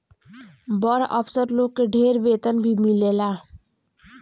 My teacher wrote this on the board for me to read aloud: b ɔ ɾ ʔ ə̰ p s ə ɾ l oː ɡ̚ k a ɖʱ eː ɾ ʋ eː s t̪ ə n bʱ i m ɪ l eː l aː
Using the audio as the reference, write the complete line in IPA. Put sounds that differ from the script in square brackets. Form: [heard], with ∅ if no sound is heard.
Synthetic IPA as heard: b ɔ ɾ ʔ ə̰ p s ə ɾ l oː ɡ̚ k [e] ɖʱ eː ɾ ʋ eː [∅] t̪ ə n bʱ i m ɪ l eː l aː